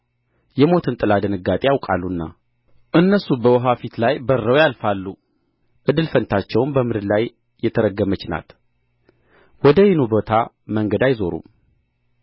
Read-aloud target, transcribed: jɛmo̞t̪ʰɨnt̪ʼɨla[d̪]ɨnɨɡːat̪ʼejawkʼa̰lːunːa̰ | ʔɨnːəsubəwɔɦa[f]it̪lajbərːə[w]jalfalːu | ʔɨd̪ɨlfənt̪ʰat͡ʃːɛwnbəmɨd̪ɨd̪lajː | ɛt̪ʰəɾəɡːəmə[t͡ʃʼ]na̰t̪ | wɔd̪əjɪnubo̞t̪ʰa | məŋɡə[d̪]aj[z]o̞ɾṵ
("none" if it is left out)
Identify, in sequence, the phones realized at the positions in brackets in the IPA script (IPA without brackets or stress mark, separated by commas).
d̪, f, w, t͡ʃ, d̪, z